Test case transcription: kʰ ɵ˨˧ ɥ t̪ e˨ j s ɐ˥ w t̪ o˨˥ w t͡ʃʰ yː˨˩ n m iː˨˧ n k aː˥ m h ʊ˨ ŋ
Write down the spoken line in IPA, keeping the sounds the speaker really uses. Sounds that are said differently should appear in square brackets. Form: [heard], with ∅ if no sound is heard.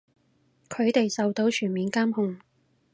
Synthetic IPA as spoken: kʰ ɵ˨˧ ɥ t̪ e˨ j s [ɐ˨] w t̪ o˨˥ w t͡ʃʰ yː˨˩ n m iː˨˧ n k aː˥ m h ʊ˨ ŋ